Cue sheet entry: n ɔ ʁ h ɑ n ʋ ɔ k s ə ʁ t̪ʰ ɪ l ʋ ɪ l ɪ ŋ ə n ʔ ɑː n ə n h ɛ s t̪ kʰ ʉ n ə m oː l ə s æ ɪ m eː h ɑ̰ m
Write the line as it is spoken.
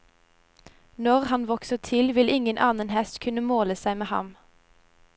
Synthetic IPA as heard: n ɔ ʁ h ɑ n ʋ ɔ k s ə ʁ t̪ʰ ɪ l ʋ ɪ l ɪ ŋ ə n ʔ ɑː n ə n h ɛ s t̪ kʰ ʉ n ə m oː l ə s æ ɪ m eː h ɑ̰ m